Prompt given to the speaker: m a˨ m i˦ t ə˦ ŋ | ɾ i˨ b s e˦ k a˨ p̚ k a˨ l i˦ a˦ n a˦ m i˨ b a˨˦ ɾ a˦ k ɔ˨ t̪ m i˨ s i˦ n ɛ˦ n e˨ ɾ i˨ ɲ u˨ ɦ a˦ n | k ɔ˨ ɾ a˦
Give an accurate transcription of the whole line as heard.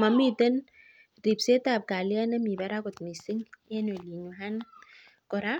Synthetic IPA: m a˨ m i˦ t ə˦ n | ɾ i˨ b s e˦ t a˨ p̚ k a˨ l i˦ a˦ n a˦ m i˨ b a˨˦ ɾ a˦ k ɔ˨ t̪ m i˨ s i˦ ŋ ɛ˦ n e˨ l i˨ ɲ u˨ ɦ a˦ n | k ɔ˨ ɾ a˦